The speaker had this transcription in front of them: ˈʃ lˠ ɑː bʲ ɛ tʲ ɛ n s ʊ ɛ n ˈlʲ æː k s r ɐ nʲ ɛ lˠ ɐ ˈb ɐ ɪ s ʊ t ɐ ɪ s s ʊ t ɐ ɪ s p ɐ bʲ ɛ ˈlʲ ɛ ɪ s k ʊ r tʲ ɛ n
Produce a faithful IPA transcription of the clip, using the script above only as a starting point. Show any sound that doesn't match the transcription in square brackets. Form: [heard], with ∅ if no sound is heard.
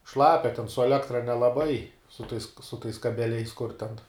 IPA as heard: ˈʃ lˠ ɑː [pʲ] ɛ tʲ ɛ n s ʊ ɛ [∅] ˈlʲ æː k [t] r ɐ nʲ ɛ lˠ ɐ ˈb ɐ ɪ s ʊ t ɐ ɪ s s ʊ t ɐ ɪ s [k] ɐ bʲ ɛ ˈlʲ ɛ ɪ s k ʊ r tʲ ɛ n